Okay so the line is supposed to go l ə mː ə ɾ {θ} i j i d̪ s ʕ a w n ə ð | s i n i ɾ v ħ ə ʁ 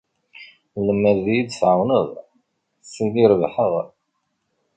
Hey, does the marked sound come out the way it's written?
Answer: no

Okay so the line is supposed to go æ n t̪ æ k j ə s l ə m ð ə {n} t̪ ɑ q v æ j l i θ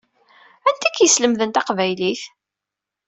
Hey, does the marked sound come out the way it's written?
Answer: yes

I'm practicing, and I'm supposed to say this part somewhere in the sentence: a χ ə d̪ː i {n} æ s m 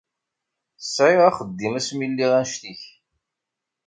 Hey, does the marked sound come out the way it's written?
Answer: no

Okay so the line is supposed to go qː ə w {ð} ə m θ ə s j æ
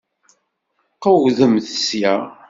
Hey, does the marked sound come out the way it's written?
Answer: yes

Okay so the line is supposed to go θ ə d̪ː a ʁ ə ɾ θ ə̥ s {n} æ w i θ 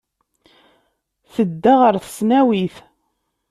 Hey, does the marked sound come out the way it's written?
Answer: yes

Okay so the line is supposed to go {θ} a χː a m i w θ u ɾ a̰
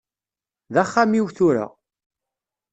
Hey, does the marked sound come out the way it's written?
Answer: no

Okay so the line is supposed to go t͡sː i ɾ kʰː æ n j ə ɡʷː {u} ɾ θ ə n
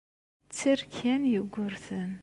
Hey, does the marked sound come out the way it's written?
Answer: no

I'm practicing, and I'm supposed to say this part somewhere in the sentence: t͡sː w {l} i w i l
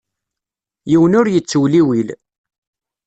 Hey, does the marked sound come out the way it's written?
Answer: yes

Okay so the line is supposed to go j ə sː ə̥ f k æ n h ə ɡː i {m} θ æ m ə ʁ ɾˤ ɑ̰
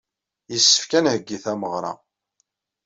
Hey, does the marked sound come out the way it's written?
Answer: no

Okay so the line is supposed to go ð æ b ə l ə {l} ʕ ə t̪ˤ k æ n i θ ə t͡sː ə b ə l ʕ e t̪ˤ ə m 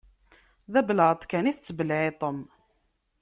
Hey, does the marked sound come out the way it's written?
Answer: no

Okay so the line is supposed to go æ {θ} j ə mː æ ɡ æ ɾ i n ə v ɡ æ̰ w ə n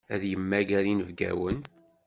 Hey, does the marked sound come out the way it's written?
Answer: no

